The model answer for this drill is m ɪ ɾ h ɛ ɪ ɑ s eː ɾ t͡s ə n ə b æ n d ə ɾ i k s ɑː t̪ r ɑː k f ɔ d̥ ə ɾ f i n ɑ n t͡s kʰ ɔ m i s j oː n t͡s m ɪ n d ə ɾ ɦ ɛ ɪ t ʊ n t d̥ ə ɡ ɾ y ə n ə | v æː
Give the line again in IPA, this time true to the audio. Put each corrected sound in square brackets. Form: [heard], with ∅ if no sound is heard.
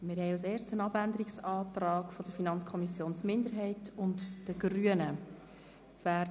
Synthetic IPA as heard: m ɪ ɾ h ɛ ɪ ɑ s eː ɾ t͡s ə n [ɑ] b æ n d ə ɾ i k s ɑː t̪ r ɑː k f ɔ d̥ ə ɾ f i n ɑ n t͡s kʰ ɔ m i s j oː n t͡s m ɪ n d ə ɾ ɦ ɛ ɪ t ʊ n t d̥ ə ɡ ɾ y ə n ə | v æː